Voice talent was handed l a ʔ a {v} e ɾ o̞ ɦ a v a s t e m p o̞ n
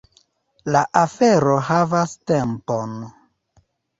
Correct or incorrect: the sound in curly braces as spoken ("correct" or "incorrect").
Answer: incorrect